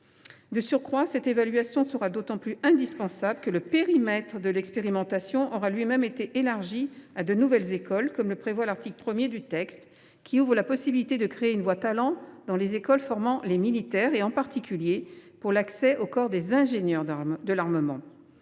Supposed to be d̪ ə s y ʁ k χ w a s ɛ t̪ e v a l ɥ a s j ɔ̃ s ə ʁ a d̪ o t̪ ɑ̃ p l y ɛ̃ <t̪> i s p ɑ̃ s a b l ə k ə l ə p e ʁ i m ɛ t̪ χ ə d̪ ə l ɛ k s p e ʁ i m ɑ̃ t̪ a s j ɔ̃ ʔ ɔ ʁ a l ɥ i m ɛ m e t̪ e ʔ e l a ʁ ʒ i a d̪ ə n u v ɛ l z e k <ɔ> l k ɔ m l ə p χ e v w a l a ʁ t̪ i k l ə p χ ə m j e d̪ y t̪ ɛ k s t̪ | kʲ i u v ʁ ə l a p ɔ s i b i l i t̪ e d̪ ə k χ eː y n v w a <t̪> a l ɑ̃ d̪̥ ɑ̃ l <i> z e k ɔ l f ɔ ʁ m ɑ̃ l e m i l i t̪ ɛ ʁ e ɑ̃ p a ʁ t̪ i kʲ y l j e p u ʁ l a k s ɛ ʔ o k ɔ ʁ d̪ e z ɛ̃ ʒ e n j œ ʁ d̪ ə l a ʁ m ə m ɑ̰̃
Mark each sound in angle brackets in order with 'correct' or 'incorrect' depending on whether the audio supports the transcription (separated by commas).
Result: incorrect, correct, correct, incorrect